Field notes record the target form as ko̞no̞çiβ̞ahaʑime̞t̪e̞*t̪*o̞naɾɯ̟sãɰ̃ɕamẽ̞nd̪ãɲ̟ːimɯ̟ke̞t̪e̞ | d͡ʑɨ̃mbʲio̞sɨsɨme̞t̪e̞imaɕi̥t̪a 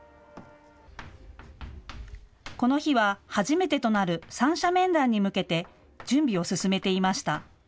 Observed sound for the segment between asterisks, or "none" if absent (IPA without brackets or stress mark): t̪